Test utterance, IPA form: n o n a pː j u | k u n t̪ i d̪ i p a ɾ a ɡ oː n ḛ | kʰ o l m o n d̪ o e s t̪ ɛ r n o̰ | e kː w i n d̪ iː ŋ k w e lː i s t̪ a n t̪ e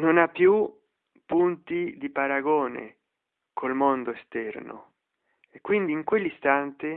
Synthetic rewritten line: n o n a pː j u | p u n t̪ i d̪ i p a ɾ a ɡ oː n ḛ | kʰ o l m o n d̪ o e s t̪ ɛ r n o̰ | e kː w i n d̪ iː ŋ k w e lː i s t̪ a n t̪ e